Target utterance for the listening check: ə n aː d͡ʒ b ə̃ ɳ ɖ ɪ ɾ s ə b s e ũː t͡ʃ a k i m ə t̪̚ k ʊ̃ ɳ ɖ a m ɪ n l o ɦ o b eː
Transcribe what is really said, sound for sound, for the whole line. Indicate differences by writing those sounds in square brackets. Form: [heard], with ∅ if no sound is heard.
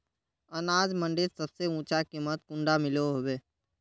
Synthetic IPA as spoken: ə n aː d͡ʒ [m] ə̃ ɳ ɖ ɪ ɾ s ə b s e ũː t͡ʃ a k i m ə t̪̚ k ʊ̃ ɳ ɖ a m ɪ [∅] l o ɦ o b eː